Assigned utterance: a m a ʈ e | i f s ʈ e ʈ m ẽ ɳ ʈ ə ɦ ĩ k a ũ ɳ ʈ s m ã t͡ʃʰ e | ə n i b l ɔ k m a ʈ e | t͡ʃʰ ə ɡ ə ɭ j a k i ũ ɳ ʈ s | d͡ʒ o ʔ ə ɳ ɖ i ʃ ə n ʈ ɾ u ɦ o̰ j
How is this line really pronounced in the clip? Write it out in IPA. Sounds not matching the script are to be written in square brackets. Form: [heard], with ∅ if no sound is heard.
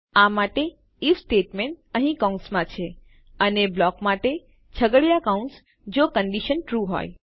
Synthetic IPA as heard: a m a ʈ e | i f s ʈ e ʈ m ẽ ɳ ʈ ə ɦ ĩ k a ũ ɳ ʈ s m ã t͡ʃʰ e | ə n [e] b l ɔ k m a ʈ e | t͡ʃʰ ə ɡ ə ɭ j a k [a] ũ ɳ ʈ s | d͡ʒ o [k] ə ɳ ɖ i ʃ ə n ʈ ɾ u ɦ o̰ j